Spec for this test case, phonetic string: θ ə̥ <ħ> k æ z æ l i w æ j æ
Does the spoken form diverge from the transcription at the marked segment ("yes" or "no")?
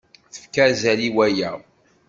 yes